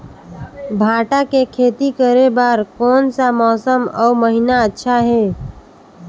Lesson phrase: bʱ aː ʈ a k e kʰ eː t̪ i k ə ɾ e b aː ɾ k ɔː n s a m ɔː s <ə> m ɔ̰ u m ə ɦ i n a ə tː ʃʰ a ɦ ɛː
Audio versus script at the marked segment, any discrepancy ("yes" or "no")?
no